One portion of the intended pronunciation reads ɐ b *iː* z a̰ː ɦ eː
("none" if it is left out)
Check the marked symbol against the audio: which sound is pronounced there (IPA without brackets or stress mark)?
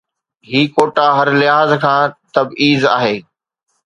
iː